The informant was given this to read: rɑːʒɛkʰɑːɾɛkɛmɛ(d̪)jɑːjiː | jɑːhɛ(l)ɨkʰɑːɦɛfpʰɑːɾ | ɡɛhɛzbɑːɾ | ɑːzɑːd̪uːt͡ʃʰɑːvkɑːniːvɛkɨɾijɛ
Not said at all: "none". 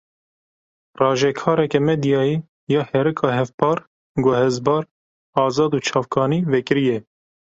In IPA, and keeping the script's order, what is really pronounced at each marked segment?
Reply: d̪, ɾ

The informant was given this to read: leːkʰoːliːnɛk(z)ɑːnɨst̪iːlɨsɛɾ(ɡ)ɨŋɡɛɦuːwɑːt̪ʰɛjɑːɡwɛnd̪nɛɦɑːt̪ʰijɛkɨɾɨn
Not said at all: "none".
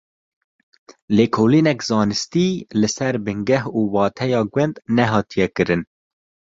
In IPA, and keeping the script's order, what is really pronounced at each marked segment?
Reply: z, b

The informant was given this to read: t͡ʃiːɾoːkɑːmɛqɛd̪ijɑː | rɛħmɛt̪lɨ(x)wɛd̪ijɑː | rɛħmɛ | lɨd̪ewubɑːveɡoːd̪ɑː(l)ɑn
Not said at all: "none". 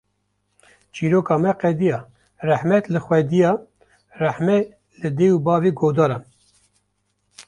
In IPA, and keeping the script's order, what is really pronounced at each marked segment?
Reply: x, ɾ

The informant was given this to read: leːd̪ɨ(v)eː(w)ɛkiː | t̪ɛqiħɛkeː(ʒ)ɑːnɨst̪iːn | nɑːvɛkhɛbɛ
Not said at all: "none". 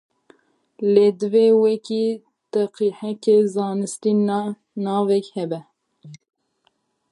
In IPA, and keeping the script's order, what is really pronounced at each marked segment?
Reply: v, w, z

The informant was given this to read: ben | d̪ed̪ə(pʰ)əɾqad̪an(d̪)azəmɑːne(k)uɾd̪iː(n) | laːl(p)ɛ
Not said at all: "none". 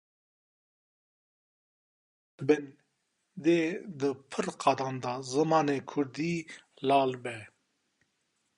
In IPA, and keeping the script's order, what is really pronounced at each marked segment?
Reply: pʰ, d̪, kʰ, none, b

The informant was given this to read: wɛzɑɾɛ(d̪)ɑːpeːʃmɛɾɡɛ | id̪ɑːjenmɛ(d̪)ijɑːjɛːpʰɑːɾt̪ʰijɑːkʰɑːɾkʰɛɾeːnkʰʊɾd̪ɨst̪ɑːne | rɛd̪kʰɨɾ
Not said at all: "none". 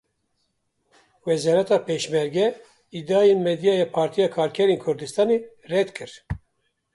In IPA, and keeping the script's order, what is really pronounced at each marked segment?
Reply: t̪, d̪

